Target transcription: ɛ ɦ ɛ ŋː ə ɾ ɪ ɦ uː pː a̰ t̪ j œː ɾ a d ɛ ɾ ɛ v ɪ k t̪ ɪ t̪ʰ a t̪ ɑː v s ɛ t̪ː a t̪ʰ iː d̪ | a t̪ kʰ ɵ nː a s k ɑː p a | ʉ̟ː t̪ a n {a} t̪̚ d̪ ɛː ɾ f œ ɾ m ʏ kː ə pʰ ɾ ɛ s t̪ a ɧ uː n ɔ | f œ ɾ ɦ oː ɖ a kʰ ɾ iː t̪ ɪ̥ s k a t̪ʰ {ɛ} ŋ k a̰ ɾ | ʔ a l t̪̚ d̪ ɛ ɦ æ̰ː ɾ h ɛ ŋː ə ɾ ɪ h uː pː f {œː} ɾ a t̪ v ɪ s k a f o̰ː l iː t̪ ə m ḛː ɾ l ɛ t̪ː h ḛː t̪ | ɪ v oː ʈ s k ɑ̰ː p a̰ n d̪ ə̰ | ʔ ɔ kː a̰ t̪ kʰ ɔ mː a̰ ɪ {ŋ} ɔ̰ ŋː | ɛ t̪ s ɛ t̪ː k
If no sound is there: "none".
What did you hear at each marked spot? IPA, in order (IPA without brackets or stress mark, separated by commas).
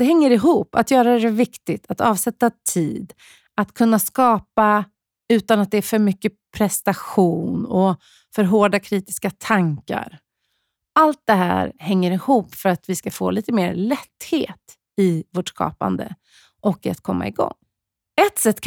a, a, œ, ɡ